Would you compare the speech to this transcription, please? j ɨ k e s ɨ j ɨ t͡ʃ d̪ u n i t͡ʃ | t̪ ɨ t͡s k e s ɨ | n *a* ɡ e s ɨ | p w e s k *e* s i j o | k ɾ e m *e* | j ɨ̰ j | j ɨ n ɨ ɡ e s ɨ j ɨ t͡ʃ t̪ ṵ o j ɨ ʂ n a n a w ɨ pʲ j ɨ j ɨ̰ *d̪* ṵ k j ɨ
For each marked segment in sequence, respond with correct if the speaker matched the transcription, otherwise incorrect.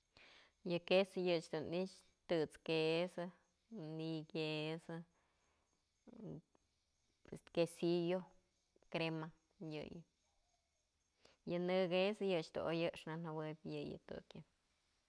incorrect, correct, incorrect, incorrect

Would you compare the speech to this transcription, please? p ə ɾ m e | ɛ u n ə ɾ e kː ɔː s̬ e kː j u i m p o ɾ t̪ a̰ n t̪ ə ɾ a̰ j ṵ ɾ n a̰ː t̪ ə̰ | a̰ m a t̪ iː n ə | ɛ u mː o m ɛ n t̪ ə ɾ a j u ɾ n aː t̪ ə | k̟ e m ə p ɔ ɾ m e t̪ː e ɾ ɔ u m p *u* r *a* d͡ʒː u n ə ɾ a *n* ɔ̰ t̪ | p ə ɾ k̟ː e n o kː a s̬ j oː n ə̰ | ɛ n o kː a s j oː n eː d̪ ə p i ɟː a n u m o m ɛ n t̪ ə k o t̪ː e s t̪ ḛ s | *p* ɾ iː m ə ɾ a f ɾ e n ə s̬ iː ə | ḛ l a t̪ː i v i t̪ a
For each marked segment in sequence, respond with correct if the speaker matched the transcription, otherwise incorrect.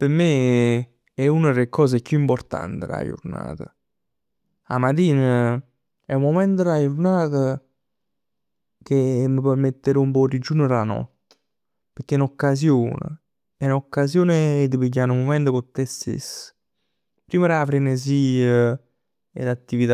incorrect, incorrect, correct, correct

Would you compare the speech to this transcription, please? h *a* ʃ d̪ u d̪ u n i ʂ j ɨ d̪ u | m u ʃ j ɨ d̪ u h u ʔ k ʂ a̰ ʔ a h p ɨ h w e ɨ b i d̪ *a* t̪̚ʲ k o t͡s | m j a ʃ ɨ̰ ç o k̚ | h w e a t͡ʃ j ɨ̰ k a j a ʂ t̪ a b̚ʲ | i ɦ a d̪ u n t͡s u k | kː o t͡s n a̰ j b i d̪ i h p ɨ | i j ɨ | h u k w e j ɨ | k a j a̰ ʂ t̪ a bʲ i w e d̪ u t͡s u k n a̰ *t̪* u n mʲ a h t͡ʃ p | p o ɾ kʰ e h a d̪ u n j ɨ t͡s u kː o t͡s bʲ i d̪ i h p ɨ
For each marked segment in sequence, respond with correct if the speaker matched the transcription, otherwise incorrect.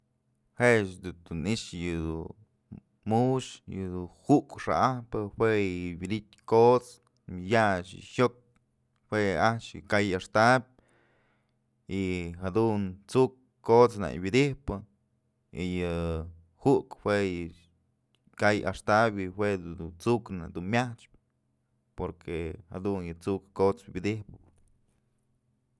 incorrect, incorrect, incorrect

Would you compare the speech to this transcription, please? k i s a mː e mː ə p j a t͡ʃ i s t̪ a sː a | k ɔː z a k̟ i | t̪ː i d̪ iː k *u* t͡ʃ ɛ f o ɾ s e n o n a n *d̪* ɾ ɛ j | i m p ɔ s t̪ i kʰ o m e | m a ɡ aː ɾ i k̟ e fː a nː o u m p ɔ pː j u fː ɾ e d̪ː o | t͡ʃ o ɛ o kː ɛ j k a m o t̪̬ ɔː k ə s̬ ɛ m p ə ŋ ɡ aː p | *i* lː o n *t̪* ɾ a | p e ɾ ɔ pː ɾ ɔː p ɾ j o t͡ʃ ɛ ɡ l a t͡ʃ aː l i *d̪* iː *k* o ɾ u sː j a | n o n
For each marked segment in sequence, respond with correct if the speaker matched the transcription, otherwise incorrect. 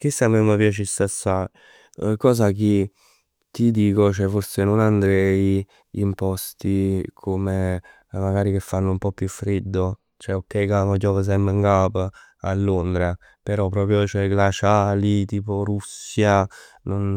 incorrect, correct, incorrect, incorrect, incorrect, incorrect

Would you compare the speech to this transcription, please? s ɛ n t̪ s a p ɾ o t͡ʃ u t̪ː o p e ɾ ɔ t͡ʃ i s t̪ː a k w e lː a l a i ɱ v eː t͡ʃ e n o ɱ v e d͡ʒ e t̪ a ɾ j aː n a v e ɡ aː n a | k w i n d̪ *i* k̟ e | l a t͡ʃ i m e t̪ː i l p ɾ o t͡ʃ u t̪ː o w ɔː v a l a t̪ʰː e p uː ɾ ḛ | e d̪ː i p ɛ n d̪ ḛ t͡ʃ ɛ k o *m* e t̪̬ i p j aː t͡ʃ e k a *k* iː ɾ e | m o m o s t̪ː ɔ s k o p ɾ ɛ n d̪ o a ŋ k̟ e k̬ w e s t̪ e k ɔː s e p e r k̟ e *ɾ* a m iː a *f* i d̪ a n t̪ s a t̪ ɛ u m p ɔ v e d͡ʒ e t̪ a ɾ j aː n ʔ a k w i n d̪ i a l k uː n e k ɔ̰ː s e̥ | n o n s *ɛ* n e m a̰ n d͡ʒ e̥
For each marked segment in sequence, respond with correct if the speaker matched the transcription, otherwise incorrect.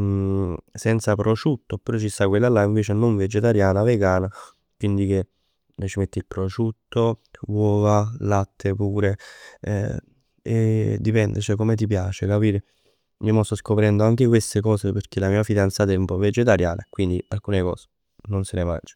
correct, correct, incorrect, incorrect, correct, incorrect

